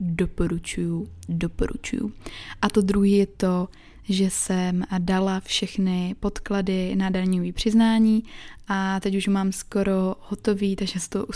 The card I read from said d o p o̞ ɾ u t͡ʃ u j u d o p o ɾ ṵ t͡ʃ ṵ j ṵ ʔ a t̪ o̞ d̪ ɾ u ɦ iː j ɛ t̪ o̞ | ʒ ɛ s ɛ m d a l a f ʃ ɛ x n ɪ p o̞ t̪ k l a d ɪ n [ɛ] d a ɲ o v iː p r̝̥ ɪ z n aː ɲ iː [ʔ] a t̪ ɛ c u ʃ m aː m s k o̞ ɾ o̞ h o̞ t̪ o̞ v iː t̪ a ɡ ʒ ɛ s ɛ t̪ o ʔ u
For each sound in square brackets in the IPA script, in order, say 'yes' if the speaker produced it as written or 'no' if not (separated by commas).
no, yes